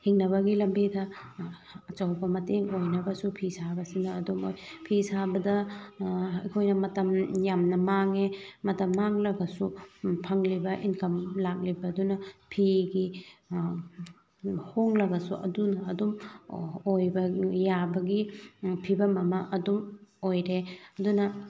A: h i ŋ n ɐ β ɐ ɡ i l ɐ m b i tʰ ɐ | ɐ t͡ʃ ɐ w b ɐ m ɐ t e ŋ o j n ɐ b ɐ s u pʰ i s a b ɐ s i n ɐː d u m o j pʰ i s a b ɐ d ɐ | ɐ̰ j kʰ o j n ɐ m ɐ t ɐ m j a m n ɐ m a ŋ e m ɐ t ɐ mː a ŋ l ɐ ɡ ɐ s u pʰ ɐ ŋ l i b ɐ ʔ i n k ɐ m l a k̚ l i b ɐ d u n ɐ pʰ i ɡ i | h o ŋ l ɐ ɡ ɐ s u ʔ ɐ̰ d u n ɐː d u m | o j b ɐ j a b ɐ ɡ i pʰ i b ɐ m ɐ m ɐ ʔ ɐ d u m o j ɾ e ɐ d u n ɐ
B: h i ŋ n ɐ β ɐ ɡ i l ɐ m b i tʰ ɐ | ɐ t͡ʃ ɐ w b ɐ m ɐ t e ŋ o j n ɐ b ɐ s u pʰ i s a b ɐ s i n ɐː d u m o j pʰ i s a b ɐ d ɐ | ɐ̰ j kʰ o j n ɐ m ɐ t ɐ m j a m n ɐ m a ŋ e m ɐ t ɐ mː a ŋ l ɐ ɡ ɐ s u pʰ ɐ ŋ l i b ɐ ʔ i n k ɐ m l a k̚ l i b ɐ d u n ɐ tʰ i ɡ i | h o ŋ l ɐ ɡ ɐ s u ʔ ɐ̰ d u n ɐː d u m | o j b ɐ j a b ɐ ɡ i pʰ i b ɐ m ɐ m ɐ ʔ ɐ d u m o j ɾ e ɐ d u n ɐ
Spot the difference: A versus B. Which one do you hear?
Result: A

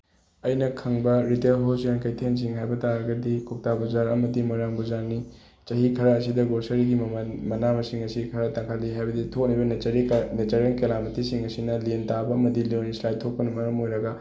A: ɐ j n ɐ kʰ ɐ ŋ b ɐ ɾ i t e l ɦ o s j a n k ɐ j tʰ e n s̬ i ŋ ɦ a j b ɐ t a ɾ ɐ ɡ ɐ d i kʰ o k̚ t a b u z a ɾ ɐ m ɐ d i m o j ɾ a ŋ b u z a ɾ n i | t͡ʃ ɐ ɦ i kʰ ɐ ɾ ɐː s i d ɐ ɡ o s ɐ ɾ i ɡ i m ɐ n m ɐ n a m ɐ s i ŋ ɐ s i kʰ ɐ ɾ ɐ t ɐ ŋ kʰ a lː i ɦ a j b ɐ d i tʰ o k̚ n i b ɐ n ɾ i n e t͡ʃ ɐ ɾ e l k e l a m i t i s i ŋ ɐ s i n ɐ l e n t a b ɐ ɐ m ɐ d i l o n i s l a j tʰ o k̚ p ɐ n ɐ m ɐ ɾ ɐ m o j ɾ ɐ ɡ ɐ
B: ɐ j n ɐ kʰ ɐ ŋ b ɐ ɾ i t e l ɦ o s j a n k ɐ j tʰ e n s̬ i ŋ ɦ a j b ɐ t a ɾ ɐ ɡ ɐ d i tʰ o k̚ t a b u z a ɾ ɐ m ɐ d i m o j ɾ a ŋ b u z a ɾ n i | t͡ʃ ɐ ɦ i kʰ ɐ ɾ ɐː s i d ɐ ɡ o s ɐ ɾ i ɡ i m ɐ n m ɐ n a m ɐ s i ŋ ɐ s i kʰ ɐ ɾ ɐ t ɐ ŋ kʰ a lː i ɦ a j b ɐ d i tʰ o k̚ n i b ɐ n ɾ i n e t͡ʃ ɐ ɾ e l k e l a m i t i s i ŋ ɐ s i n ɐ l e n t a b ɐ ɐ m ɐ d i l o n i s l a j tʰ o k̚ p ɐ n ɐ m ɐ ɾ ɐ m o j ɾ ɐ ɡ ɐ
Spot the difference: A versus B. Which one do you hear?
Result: A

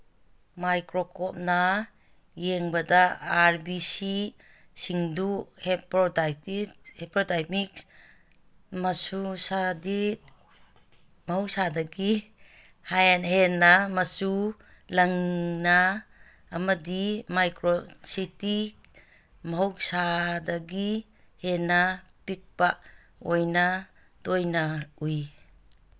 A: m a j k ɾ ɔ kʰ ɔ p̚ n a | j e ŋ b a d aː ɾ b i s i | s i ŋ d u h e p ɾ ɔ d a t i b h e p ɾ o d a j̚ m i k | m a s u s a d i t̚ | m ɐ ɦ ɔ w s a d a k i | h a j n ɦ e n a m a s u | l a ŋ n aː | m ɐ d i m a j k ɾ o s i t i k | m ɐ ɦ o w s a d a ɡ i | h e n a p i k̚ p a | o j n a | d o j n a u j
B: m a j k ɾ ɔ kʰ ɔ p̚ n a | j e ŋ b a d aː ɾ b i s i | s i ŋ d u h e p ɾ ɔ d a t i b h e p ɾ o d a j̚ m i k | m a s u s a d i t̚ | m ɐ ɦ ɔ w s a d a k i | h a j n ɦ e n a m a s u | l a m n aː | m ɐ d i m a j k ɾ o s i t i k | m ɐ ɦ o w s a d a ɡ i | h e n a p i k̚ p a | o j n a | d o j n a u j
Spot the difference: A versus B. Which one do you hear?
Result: A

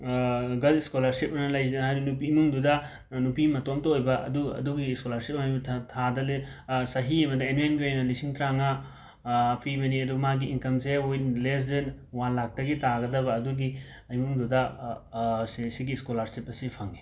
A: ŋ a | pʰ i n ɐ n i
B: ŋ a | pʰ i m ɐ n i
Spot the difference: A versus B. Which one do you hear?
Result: B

